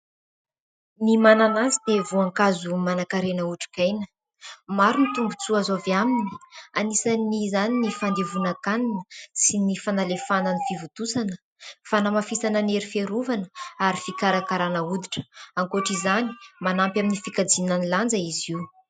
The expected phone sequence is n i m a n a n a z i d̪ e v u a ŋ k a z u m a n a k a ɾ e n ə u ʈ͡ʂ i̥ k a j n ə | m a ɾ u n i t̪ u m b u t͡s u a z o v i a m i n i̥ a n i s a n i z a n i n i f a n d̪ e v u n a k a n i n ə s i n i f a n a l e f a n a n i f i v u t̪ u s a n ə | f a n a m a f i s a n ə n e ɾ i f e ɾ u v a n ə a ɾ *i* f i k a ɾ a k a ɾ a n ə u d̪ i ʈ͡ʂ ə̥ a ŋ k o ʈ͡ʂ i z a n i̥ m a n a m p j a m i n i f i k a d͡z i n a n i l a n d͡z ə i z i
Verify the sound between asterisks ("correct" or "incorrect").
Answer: correct